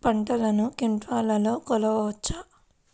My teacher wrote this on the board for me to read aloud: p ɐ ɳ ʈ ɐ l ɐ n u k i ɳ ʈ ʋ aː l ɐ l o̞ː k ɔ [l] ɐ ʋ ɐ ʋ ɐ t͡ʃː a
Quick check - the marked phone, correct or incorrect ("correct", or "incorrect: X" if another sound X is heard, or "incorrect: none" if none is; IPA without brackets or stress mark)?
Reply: correct